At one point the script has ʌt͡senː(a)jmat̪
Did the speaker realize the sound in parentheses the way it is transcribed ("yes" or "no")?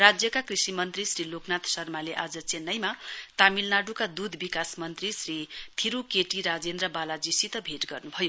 no